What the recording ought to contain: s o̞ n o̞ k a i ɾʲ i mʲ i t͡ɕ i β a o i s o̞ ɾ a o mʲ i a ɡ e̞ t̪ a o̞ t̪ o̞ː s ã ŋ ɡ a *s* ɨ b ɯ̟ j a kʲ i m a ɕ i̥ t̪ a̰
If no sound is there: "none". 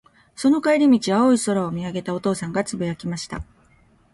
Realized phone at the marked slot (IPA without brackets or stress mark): t͡s